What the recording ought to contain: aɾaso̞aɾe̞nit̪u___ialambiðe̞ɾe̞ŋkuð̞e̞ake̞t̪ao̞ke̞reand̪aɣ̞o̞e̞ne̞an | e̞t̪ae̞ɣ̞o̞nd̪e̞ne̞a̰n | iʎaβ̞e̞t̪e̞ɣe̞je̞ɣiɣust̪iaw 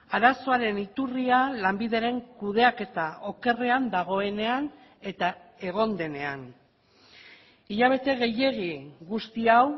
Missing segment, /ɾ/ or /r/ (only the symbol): r